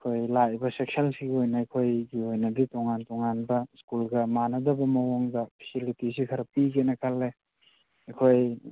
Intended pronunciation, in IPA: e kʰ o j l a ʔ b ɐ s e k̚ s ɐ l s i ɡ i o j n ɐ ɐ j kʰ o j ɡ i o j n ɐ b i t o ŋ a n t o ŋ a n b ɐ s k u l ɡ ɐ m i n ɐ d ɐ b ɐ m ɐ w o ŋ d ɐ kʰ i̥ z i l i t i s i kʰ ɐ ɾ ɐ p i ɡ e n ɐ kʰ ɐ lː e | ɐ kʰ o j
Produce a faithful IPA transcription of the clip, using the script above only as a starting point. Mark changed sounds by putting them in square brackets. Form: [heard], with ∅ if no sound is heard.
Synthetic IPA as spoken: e kʰ o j l a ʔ b ɐ s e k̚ s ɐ l s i ɡ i o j n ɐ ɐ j kʰ o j ɡ i o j n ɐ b i t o ŋ a n t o ŋ a n b ɐ s k u l ɡ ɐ m [a] n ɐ d ɐ b ɐ m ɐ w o ŋ d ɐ [pʰ] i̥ [s] i l i t i s i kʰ ɐ ɾ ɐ p i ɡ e n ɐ kʰ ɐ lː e | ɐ kʰ o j